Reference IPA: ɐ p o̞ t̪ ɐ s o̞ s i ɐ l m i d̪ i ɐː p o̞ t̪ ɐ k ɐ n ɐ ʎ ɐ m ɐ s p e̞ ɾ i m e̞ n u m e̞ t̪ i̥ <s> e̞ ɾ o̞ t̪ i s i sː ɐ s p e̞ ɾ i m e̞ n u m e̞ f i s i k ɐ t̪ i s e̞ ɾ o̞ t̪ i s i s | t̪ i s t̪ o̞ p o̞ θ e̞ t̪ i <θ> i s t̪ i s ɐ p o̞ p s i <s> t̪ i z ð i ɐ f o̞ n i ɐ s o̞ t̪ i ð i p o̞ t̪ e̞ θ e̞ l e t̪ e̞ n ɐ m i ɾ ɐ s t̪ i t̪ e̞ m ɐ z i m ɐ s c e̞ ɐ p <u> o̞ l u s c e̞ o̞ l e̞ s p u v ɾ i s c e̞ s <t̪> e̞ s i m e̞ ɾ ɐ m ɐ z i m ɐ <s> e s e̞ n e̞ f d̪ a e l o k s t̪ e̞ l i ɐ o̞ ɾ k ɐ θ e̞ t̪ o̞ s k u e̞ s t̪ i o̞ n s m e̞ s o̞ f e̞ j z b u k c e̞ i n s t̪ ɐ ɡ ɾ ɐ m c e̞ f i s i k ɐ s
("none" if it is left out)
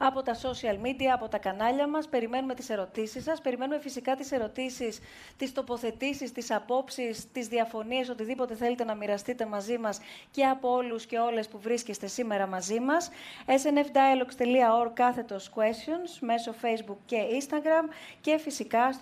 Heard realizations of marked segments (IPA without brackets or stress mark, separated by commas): s, s, s, o, t̪, s